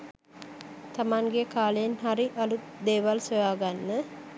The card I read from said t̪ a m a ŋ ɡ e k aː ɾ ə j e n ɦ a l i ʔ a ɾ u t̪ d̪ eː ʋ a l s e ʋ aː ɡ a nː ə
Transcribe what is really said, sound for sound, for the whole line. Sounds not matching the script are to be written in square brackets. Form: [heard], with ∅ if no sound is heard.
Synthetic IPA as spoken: t̪ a m a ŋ ɡ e k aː [l] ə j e n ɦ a [ɾ] i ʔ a [l] u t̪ d̪ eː ʋ a l s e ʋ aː ɡ a nː ə